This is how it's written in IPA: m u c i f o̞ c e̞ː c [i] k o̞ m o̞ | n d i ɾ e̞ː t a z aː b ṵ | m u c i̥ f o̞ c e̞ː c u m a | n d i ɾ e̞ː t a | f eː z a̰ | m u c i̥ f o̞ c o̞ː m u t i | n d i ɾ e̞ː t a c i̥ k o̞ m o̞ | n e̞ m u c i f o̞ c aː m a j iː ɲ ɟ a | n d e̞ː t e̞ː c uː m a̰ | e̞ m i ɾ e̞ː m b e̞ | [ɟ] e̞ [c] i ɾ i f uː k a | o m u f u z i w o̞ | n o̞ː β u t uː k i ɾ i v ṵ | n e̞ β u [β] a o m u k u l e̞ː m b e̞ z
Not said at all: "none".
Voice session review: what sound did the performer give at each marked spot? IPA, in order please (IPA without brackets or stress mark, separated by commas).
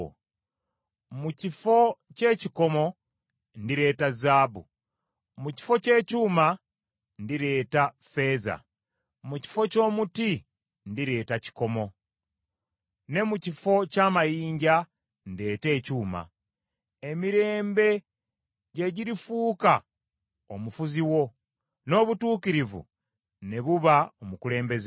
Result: i, ɟ, ɟ, β